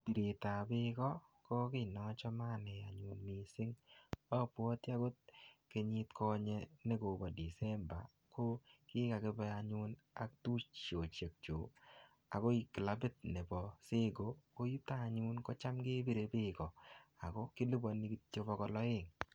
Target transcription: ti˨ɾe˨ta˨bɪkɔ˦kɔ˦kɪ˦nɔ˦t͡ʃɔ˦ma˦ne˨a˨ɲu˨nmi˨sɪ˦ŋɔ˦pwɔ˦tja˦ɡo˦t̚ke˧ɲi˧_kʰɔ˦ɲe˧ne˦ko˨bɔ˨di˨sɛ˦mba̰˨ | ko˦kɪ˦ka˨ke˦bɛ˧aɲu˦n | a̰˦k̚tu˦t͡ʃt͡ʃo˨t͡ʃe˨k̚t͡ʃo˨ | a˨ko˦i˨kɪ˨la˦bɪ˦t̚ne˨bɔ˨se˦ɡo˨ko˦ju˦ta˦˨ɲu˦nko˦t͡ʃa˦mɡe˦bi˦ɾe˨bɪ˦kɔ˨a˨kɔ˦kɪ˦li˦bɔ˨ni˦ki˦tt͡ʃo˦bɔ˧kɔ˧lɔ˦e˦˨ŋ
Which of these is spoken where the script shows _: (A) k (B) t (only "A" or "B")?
B